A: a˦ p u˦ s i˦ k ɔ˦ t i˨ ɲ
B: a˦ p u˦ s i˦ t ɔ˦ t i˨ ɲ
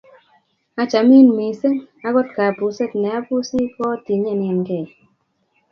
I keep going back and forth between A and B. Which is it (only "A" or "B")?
A